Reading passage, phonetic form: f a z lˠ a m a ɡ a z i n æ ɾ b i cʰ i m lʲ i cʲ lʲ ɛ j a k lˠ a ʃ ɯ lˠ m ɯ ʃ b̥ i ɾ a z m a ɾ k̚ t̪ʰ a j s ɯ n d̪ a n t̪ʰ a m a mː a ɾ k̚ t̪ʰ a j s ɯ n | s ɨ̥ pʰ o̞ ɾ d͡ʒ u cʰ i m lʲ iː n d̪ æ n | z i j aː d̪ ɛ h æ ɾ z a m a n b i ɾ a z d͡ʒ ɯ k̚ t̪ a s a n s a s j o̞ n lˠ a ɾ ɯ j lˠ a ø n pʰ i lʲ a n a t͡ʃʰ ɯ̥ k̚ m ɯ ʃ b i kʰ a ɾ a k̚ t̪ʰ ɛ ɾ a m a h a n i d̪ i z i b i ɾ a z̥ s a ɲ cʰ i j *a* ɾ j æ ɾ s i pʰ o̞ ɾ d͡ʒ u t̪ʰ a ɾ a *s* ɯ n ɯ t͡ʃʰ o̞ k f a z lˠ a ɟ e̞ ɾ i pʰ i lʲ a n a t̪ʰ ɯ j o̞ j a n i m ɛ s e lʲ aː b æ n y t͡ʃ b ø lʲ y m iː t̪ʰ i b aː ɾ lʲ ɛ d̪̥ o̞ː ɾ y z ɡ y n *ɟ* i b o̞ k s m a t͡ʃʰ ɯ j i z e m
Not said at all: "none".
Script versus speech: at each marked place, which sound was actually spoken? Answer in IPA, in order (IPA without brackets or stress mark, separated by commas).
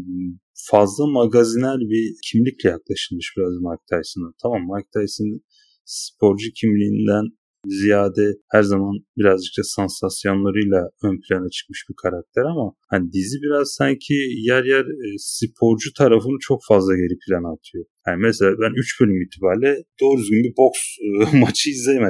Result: æ, f, b